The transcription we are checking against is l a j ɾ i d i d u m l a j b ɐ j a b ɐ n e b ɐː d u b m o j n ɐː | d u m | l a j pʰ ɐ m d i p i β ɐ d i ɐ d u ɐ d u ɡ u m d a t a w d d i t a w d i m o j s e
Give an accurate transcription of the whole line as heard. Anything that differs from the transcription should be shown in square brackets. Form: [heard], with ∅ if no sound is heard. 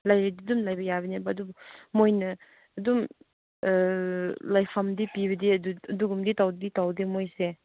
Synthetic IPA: l a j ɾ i d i d u m l a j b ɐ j a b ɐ n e b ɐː d u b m o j n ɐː | d u m | l a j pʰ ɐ m d i p i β ɐ d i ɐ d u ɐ d u ɡ u m d [i] t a w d d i t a w d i m o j s e